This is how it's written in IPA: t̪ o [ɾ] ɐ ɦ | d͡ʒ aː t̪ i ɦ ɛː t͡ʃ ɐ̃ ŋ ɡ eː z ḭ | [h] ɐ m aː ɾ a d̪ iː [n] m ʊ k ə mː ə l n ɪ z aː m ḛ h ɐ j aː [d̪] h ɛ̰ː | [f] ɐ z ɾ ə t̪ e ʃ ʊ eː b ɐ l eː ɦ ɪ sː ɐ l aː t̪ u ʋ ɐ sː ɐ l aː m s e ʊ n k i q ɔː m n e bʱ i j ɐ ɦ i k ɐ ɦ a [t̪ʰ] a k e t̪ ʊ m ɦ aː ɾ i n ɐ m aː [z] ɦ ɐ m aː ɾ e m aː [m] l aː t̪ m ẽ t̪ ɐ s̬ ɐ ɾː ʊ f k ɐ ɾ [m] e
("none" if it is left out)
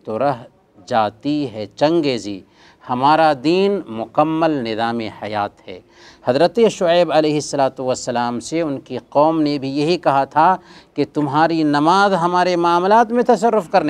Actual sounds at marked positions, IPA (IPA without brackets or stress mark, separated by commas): ɾ, h, n, t̪, h, t̪ʰ, z, m, n